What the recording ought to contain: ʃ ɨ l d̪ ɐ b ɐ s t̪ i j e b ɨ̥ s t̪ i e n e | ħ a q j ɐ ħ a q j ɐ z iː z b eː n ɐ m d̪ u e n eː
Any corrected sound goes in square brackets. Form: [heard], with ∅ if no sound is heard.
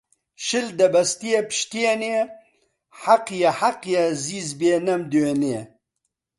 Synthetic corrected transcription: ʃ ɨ l d̪ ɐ b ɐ s t̪ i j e [p] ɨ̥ [ʃ] t̪ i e n e | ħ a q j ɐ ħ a q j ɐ z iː z b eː n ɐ m d̪ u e n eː